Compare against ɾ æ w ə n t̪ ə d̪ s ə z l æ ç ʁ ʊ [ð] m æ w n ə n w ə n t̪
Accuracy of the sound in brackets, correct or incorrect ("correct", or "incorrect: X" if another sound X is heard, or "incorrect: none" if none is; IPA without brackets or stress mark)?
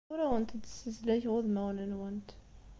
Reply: correct